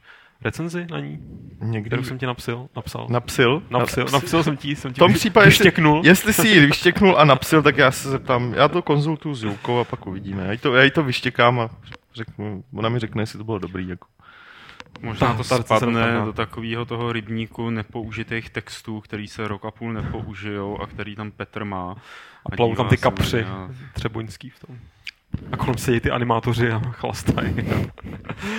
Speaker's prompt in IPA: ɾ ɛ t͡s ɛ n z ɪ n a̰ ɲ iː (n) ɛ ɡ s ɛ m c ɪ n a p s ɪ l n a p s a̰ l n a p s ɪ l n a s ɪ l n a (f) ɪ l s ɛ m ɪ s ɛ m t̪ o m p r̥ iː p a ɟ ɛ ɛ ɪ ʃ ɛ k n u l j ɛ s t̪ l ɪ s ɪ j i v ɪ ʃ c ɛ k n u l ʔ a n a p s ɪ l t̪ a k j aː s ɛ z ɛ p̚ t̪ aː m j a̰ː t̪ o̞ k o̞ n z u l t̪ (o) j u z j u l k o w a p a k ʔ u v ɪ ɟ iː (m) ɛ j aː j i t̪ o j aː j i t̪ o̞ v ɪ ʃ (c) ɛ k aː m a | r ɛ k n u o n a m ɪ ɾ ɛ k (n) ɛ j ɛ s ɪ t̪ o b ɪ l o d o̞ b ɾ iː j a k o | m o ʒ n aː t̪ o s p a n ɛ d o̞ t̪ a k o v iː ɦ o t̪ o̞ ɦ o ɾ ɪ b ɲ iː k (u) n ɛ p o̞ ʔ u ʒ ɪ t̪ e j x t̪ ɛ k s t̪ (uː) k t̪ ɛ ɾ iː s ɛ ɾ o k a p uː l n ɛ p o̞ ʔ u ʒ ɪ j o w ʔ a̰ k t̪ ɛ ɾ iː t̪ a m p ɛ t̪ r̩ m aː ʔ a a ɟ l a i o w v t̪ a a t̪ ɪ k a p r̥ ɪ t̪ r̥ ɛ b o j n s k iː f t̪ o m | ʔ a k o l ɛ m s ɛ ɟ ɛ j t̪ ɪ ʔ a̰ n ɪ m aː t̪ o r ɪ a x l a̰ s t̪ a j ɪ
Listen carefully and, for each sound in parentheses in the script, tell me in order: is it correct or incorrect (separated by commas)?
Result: incorrect, incorrect, incorrect, correct, correct, correct, correct, correct